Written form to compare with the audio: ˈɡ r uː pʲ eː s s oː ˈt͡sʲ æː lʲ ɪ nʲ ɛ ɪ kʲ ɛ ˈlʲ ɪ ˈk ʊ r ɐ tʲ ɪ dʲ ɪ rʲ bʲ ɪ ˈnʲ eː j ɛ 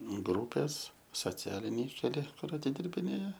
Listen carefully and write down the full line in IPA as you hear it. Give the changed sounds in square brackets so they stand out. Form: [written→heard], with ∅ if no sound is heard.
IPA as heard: ˈɡ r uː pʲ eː s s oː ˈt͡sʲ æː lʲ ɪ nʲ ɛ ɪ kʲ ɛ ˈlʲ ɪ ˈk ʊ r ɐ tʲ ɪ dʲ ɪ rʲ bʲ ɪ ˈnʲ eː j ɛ